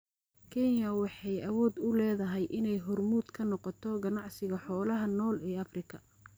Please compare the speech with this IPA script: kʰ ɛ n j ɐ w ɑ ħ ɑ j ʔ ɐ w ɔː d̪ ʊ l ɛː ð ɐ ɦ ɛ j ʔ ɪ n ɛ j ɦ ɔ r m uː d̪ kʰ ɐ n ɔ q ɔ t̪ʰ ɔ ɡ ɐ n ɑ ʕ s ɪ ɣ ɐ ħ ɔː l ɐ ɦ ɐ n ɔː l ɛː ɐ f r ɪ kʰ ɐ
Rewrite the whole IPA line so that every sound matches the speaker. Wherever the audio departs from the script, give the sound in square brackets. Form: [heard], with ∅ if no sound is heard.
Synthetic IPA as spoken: kʰ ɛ n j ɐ w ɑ ħ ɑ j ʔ ɐ w ɔː d̪ ʊ l ɛː ð ɐ ɦ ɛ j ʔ ɪ n ɛ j ɦ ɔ r m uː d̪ kʰ ɐ n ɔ q ɔ t̪ʰ ɔ ɡ ɐ n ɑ ʕ s ɪ ɣ ɐ ħ ɔː l ɐ ɦ ɐ n ɔː l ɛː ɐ f r ɪ kʰ ɐ

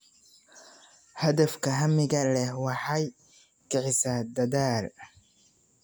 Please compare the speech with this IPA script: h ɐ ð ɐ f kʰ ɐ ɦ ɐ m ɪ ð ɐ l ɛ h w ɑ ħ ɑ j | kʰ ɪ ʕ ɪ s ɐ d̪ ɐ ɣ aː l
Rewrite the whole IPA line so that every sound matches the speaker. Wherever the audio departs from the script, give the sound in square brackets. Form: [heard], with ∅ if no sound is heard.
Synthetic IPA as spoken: h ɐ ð ɐ f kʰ ɐ ɦ ɐ m ɪ [ɣ] ɐ l ɛ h w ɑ ħ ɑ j | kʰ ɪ ʕ ɪ s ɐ d̪ ɐ [ð] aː l

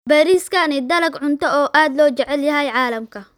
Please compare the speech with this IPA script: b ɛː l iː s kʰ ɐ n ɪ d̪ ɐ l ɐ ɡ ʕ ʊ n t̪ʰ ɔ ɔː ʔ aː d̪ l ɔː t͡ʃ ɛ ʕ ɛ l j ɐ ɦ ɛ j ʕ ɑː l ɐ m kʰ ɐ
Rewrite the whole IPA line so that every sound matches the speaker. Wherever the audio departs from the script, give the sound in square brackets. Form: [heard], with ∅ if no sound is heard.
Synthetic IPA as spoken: b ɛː [ɾ] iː s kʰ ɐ n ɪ d̪ ɐ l ɐ ɡ ʕ ʊ n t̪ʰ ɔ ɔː ʔ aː d̪ l ɔː t͡ʃ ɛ ʕ ɛ l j ɐ ɦ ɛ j ʕ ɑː l ɐ m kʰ ɐ

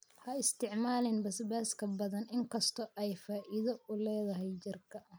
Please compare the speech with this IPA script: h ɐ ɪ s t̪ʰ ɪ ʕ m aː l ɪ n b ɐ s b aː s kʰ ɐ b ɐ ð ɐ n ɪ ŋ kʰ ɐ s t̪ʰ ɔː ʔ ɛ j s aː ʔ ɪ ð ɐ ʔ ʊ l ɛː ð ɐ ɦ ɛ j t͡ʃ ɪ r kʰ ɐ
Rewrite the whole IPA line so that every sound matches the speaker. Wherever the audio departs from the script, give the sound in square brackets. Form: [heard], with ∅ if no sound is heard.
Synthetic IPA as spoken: h ɐ ɪ s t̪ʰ ɪ ʕ m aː l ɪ n b ɐ s b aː s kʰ ɐ b ɐ ð ɐ n ɪ ŋ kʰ ɐ s t̪ʰ [ɔ] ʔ ɛ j [f] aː ʔ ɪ ð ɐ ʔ ʊ l ɛː ð ɐ ɦ ɛ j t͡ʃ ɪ r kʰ ɐ

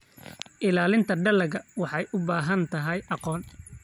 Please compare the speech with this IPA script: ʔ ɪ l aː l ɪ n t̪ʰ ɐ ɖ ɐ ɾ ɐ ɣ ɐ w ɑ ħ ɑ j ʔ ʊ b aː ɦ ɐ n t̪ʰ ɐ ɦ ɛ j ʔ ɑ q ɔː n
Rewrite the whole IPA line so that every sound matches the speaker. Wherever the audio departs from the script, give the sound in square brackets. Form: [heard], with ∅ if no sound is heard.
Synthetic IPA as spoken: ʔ ɪ l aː l ɪ n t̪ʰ ɐ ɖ ɐ [l] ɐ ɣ ɐ w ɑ ħ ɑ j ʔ ʊ b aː ɦ ɐ n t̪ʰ ɐ ɦ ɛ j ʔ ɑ q ɔː n

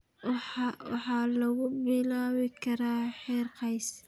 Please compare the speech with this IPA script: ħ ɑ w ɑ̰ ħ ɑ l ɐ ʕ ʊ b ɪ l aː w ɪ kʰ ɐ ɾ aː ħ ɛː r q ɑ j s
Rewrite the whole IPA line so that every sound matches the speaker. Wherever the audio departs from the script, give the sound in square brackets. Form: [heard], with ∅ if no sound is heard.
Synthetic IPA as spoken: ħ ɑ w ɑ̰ ħ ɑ l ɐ [ɣ] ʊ b ɪ l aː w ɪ kʰ ɐ ɾ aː ħ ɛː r q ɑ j s

